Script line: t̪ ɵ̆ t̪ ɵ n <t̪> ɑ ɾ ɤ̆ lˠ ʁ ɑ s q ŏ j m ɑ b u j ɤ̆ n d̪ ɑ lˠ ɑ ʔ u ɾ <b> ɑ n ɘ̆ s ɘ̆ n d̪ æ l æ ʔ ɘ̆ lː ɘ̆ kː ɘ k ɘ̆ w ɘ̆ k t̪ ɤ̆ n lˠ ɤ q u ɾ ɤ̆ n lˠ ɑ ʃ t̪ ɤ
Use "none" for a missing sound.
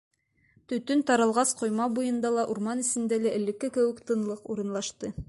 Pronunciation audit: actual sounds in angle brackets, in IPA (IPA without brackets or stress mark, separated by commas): t̪, m